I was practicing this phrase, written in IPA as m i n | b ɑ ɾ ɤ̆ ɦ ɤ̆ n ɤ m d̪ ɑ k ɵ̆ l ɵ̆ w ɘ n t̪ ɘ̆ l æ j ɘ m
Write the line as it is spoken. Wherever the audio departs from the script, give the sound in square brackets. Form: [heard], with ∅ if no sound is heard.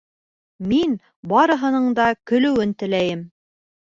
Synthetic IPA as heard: m i n | b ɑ ɾ ɤ̆ ɦ ɤ̆ n ɤ [ɴ] d̪ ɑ k ɵ̆ l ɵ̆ w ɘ n t̪ ɘ̆ l æ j ɘ m